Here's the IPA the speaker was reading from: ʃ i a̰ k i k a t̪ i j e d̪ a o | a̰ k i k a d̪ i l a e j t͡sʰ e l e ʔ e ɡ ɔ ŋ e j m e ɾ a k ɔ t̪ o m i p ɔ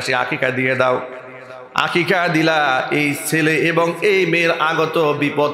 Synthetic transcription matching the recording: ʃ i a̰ k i k a d̪ i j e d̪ a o | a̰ k i k a d̪ i l a e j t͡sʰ e l e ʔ e b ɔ ŋ e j m e ɾ a ɡ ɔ t̪ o b i p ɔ